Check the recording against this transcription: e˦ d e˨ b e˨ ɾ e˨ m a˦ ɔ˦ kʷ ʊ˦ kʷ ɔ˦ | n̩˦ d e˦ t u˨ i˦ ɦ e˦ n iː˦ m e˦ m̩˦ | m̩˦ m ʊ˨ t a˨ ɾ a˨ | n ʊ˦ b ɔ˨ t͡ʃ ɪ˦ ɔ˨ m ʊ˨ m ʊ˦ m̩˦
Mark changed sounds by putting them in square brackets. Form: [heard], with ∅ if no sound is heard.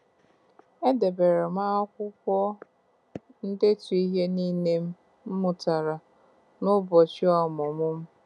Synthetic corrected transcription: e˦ d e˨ b e˨ ɾ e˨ m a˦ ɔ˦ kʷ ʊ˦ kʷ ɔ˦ | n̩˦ d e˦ t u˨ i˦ ɦ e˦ n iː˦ [n] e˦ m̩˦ | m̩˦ m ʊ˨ t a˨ ɾ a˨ | n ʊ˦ b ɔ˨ t͡ʃ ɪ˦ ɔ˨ m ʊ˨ m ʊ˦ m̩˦